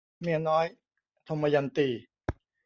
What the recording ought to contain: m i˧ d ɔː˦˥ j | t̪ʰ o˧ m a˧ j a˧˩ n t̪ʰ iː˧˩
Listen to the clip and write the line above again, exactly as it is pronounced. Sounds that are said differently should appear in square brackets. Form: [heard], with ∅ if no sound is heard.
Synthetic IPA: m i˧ [n] ɔː˦˥ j | t̪ʰ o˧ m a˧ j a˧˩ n [t̪] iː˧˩